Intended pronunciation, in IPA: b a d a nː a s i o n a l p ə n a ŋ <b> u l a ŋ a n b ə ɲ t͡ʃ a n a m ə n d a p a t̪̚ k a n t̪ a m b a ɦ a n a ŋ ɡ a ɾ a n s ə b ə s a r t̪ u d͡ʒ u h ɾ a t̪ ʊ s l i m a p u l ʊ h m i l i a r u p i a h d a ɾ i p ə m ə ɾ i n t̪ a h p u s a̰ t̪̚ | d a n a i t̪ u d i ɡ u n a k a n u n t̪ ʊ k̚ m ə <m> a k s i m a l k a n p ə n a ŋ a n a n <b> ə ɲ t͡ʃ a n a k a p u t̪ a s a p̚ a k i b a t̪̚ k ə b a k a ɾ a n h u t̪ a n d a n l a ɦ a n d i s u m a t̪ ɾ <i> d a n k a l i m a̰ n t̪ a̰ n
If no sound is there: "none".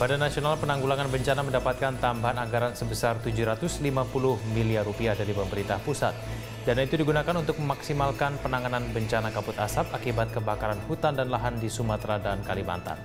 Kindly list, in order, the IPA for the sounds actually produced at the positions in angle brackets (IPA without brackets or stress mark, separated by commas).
ɡ, m, b, a